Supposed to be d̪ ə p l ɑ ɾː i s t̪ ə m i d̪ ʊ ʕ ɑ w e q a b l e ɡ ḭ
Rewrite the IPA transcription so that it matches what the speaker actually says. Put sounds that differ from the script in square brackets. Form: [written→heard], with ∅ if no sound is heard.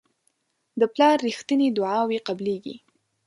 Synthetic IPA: d̪ ə p l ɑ ɾː i [s→x] t̪ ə [m→n] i d̪ ʊ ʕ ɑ w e q a b l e ɡ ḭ